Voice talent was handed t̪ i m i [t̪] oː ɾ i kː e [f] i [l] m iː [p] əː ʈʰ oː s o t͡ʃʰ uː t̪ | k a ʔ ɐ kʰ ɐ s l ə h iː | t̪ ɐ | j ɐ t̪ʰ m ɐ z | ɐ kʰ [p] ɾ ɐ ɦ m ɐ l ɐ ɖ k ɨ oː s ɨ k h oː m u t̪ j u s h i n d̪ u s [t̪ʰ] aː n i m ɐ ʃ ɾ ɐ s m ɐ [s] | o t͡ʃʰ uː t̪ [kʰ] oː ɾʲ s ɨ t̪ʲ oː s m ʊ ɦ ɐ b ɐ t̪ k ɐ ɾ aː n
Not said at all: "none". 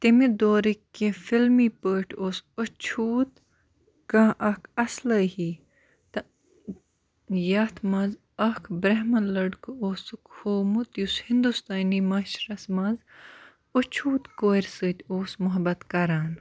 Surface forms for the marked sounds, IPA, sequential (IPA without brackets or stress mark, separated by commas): d̪, f, l, p, b, t̪, z, k